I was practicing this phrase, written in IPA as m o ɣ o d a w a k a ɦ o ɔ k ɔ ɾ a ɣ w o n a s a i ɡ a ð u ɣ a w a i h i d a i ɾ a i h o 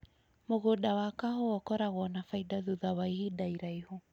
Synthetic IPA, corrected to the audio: m o ɣ o d a w a k a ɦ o ɔ k ɔ ɾ a ɣ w ɔ n a f a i d a ð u ð a w a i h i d a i ɾ a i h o